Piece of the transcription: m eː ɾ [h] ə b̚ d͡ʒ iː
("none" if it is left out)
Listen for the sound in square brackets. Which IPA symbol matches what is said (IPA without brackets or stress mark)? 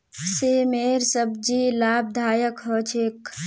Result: s